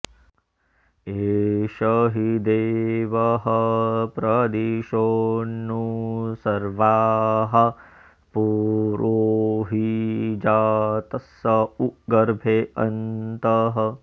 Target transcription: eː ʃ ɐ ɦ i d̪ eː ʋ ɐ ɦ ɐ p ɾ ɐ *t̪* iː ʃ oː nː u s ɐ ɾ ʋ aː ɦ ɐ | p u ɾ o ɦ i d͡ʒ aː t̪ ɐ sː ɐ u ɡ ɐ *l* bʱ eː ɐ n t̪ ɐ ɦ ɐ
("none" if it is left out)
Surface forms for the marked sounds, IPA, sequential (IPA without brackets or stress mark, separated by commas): d̪, ɾ